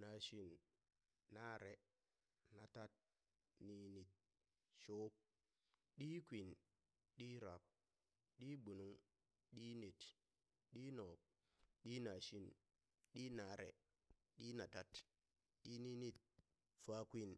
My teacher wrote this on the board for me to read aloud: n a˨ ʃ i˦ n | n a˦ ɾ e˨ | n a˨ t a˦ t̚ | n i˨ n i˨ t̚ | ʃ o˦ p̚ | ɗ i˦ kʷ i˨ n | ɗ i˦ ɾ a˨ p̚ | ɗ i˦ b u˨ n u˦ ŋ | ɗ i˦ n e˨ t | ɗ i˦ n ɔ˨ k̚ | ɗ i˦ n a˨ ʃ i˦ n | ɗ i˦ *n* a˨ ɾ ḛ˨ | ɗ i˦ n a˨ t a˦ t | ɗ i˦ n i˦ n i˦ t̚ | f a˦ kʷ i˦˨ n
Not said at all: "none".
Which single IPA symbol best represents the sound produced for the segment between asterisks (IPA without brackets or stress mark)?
n